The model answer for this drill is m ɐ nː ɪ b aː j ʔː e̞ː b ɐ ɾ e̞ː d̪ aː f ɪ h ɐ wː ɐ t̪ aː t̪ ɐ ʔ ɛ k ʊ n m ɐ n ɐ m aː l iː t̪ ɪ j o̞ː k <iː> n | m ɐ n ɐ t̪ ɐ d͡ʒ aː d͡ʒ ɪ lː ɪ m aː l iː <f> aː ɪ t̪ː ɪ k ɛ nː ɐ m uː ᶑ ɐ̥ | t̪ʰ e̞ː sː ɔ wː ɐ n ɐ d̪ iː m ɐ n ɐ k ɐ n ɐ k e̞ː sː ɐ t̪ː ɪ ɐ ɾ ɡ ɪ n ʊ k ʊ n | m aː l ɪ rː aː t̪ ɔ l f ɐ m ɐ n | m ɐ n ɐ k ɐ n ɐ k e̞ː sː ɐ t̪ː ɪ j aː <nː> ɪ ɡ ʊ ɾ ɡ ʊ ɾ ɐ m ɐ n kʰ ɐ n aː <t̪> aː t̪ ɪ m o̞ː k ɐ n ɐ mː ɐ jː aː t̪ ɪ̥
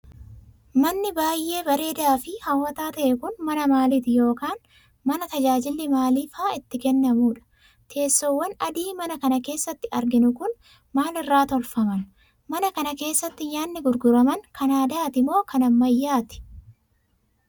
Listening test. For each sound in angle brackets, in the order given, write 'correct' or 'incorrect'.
incorrect: aː, correct, correct, incorrect: d̪

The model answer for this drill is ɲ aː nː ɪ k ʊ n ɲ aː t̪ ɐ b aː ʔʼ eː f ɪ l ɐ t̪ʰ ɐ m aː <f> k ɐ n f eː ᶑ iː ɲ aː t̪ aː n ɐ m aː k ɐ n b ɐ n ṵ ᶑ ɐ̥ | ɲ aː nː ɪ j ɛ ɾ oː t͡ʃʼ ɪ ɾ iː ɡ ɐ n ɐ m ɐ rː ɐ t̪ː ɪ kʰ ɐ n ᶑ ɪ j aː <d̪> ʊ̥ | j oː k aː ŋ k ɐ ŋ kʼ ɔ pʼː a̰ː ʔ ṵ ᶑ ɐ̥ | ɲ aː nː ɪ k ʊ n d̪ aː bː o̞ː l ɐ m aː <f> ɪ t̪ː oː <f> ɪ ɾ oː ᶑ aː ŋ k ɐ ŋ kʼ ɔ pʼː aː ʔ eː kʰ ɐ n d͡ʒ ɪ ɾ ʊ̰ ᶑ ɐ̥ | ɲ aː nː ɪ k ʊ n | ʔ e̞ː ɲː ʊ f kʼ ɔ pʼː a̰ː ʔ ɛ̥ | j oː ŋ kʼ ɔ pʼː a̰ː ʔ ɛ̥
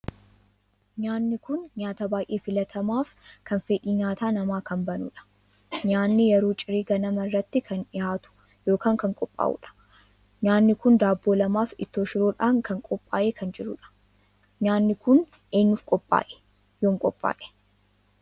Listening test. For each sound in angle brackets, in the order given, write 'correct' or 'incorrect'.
correct, incorrect: t̪, correct, incorrect: ʃ

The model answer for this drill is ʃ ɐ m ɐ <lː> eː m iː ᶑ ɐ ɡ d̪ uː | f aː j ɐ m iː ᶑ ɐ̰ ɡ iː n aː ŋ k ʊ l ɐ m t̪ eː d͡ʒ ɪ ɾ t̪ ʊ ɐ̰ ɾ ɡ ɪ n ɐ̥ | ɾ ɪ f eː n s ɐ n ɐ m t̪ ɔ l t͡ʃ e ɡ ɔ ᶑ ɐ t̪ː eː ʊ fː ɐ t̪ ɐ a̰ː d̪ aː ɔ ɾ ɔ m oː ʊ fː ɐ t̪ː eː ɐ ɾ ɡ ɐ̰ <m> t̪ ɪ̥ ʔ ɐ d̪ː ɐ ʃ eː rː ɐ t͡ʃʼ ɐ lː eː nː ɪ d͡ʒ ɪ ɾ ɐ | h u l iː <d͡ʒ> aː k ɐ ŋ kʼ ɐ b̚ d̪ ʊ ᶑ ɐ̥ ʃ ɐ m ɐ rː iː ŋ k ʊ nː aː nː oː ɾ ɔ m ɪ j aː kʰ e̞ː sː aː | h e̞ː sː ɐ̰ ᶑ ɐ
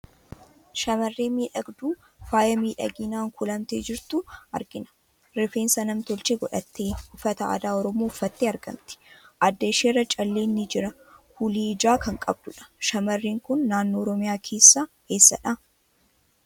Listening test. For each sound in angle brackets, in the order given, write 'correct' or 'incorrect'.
incorrect: rː, correct, correct

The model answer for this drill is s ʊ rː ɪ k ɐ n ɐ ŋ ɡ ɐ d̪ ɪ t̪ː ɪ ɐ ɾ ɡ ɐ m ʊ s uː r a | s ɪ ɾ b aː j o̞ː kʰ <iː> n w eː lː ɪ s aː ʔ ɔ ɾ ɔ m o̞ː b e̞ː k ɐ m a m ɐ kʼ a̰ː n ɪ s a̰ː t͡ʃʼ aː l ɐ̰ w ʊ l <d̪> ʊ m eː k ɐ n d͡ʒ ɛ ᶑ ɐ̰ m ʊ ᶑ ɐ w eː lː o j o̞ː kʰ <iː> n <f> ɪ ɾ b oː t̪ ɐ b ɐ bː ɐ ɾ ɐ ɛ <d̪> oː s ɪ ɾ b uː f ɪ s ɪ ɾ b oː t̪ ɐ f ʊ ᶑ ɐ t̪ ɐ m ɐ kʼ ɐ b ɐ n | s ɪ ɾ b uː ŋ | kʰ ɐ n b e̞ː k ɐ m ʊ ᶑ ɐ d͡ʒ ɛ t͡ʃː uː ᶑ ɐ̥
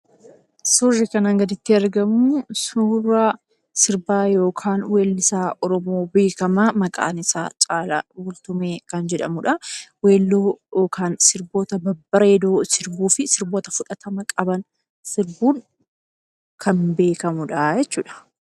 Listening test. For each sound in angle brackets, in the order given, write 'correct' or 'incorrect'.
incorrect: aː, incorrect: t̪, incorrect: aː, incorrect: s, correct

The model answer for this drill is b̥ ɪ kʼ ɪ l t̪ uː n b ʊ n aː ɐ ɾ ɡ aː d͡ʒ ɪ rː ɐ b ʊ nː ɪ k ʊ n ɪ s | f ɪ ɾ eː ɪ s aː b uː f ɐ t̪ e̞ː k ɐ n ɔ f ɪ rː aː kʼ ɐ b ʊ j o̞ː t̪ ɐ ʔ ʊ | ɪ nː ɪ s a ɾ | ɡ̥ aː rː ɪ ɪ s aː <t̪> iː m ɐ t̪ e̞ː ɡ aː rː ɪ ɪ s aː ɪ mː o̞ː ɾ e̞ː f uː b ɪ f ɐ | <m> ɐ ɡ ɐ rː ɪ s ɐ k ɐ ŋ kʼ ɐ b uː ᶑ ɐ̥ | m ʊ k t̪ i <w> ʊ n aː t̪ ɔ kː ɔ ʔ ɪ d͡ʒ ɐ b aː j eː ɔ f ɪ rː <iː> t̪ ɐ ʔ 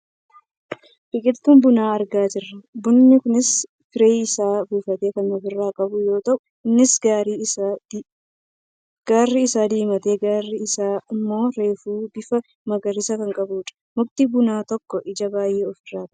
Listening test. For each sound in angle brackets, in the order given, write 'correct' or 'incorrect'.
incorrect: d̪, correct, incorrect: b, incorrect: aː

